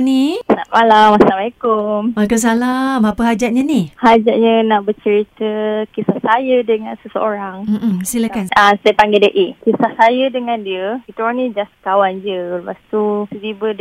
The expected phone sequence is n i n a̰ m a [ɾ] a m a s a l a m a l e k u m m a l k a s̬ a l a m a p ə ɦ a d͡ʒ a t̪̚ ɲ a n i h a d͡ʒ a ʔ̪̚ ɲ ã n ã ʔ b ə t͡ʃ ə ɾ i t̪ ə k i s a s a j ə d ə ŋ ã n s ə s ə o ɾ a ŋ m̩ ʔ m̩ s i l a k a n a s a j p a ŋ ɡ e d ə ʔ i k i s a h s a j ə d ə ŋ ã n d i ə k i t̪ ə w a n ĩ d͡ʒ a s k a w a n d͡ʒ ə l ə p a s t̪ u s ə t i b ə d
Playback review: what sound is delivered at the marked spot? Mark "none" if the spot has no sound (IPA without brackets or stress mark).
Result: l